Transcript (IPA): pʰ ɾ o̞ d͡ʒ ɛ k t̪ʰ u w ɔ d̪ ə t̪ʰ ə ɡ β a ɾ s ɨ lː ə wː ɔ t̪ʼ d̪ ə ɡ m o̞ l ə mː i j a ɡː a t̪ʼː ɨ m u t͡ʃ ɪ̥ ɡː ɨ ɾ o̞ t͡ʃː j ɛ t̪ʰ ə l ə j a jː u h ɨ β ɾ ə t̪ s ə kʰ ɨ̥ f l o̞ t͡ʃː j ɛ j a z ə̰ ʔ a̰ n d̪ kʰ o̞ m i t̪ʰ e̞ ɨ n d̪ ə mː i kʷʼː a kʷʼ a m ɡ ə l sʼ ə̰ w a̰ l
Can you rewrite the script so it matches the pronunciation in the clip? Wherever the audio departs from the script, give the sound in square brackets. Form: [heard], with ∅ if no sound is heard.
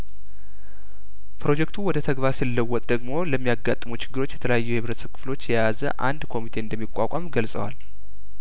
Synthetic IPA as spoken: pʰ ɾ o̞ d͡ʒ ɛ k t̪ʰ u w ɔ d̪ ə t̪ʰ ə ɡ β a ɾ s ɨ lː ə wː ɔ t̪ʼ d̪ ə ɡ m o̞ l ə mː i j a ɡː a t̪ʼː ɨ m u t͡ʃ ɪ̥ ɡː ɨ ɾ o̞ t͡ʃː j ɛ t̪ʰ ə l ə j a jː u h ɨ β ɾ ə t̪ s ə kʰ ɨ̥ f l o̞ t͡ʃː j ɛ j a z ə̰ ʔ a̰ n d̪ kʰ o̞ m i t̪ʰ e̞ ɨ n d̪ ə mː i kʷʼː a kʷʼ a m ɡ ə l sʼ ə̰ w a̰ l